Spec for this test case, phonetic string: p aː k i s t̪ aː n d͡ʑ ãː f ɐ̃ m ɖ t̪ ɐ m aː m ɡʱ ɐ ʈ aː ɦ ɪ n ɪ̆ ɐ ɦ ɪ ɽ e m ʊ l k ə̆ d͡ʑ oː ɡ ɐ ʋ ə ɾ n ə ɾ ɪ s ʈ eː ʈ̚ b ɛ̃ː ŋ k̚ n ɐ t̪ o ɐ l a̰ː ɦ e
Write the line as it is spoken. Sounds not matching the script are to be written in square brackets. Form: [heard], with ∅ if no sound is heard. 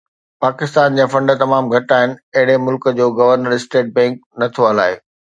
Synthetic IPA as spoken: p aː k [ɪ] s t̪ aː n d͡ʑ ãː f ɐ̃ [ɳ] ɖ t̪ ɐ m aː m ɡʱ ɐ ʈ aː ɦ ɪ n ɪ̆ ɐ ɦ ɪ ɽ e m ʊ l k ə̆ d͡ʑ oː ɡ ɐ ʋ ə ɾ n ə ɾ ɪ s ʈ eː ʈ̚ b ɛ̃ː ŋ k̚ n ɐ [t̪ʰ] o ɐ l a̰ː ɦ e